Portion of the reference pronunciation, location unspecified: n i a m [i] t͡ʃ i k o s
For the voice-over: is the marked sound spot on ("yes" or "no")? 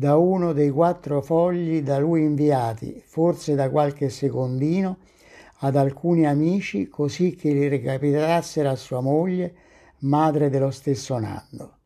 no